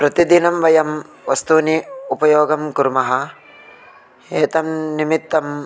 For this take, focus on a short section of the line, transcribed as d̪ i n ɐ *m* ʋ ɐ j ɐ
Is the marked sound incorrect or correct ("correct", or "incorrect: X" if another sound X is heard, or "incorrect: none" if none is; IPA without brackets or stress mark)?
correct